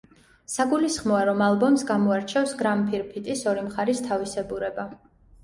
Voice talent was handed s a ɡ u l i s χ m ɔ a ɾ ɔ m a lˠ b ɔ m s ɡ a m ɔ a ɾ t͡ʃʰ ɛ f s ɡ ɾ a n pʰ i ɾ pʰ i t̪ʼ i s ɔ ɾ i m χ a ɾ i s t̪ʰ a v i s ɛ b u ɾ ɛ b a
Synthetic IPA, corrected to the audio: s a ɡ u l i s χ m ɔ a ɾ ɔ m a lˠ b ɔ m s ɡ a m ɔ a ɾ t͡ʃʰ ɛ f s ɡ ɾ a m pʰ i ɾ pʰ i t̪ʼ i s ɔ ɾ i m χ a ɾ i s t̪ʰ a v i s ɛ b u ɾ ɛ b a